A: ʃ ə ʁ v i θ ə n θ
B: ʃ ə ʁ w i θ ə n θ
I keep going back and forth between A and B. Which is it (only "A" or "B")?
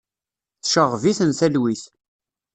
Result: A